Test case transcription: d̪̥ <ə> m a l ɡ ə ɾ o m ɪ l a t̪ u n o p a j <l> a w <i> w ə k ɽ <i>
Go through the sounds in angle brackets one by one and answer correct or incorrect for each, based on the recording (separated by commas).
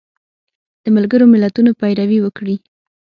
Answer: correct, incorrect, correct, correct